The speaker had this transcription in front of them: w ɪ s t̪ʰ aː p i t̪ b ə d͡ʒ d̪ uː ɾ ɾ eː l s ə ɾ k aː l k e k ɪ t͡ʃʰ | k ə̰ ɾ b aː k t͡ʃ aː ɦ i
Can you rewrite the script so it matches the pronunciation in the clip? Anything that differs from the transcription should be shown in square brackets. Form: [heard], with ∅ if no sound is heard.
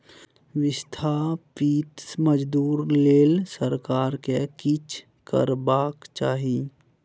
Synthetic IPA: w ɪ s t̪ʰ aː p i t̪ [m] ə d͡ʒ d̪ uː ɾ [l] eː l s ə ɾ k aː [ɾ] k e k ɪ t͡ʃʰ | k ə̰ ɾ b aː k t͡ʃ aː ɦ i